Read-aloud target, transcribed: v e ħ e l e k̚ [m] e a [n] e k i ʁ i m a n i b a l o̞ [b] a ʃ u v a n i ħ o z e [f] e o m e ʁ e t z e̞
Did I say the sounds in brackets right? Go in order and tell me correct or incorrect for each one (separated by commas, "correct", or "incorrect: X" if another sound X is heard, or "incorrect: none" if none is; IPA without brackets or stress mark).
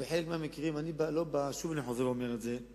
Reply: correct, incorrect: m, correct, incorrect: v